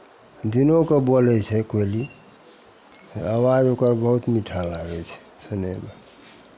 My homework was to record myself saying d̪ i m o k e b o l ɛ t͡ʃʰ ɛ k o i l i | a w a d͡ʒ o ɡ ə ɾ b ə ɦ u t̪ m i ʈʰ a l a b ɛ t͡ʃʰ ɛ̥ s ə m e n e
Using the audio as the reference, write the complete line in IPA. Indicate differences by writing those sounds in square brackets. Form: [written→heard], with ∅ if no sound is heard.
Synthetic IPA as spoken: d̪ i [m→n] o k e b o l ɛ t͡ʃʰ ɛ k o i l i | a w a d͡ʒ o [ɡ→k] ə ɾ b ə ɦ u t̪ m i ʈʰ a l a [b→ɡ] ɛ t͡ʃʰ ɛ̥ s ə [m→n] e [n→m] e